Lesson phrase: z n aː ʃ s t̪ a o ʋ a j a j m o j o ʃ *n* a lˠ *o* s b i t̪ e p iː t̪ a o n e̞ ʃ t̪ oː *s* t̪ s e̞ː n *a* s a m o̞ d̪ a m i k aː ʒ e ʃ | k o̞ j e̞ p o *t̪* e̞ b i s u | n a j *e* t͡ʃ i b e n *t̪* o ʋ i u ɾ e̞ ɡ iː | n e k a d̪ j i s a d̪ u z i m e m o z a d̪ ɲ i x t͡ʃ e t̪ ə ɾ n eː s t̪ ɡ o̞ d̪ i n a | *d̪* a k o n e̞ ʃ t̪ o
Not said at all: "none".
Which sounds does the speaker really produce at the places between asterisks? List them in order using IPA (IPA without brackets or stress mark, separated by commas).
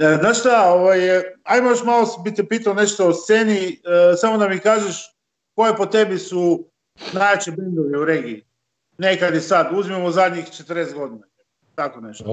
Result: m, o, s, i, t̪, a, d̪, t̪